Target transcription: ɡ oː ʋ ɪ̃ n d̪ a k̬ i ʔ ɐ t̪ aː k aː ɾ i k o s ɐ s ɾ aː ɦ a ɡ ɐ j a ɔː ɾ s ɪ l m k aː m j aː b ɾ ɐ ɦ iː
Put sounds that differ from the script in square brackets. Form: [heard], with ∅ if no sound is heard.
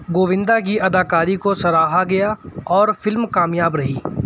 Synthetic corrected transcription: ɡ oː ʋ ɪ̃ n d̪ a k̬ i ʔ ɐ [d̪] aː k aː ɾ i k o s ɐ [∅] ɾ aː ɦ a ɡ ɐ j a ɔː ɾ [f] ɪ l m k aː m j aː b ɾ ɐ ɦ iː